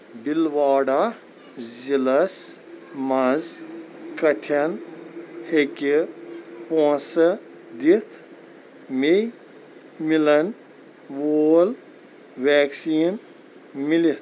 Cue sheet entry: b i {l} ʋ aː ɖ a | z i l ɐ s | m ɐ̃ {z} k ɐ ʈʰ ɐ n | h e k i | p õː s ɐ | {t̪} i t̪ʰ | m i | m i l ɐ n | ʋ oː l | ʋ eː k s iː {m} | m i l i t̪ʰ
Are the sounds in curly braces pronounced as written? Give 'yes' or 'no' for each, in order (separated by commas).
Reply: yes, yes, no, no